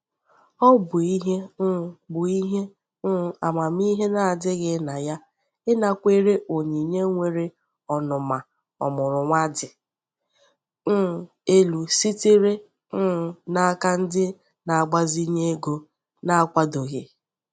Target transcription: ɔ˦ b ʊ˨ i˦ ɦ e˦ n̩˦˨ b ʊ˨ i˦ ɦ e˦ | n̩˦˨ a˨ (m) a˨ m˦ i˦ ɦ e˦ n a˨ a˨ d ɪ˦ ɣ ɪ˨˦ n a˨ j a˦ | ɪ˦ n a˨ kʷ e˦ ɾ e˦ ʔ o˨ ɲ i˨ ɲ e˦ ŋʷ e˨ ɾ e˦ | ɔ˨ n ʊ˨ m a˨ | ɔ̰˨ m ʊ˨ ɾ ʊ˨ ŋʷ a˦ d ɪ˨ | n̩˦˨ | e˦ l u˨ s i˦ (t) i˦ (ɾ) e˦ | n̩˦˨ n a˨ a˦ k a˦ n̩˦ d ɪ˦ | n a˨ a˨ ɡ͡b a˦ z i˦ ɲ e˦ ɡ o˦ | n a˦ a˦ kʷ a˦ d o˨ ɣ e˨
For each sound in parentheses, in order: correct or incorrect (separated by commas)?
correct, correct, correct